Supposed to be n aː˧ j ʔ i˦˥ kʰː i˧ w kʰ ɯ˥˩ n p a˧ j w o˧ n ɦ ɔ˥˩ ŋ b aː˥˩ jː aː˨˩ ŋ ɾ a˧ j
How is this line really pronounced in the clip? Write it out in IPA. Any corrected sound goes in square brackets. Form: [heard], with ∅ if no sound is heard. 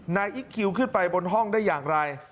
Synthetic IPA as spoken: n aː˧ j ʔ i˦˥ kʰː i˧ w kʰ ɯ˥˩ n p a˧ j [b] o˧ n ɦ ɔ˥˩ ŋ [d] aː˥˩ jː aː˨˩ ŋ ɾ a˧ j